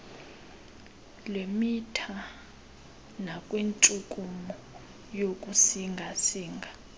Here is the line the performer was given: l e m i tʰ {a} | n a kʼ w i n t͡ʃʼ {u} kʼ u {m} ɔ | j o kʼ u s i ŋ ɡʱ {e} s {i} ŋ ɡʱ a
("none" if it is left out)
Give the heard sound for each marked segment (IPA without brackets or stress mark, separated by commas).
a, u, m, a, iː